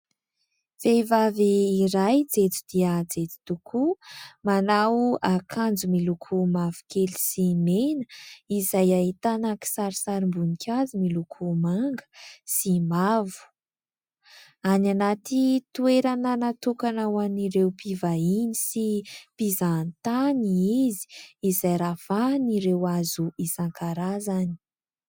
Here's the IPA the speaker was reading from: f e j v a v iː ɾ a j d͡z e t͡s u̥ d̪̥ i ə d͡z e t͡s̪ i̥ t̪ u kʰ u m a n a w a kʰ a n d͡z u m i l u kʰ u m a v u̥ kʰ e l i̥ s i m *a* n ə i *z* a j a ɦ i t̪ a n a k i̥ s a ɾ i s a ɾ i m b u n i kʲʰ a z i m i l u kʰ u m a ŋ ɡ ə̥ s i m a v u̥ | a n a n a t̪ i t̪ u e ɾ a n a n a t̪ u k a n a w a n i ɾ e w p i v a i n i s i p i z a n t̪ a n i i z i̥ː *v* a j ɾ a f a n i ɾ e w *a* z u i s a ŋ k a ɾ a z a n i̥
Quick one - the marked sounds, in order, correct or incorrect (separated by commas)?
incorrect, correct, incorrect, correct